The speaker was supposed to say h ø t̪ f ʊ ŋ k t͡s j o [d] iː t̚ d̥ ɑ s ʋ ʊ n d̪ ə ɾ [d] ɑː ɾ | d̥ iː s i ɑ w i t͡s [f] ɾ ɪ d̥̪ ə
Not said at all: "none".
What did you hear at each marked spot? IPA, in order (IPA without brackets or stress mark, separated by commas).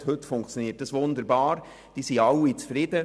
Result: n, b, f